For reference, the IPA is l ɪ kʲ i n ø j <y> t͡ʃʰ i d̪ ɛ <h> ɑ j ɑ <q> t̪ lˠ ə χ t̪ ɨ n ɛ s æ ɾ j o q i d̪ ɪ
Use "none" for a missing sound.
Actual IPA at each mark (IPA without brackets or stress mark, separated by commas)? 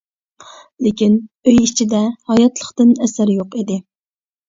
i, h, none